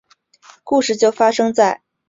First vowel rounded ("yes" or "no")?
yes